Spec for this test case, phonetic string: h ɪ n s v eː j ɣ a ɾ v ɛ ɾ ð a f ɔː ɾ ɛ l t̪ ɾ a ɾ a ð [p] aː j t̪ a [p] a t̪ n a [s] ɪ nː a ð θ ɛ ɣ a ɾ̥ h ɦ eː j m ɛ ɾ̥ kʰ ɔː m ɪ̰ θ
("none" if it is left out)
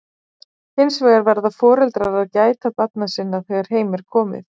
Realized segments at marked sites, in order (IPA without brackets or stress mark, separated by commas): c, p, s